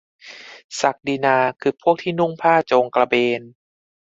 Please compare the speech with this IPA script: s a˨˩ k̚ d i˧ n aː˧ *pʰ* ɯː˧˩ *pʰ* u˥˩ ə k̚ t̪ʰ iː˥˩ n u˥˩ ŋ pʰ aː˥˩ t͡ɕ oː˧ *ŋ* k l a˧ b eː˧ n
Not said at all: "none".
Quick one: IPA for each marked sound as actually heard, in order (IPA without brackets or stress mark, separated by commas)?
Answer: kʰ, pʰ, ŋ